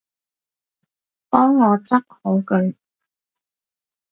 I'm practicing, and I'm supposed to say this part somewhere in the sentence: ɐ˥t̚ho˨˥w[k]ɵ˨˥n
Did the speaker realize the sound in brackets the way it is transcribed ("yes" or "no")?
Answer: yes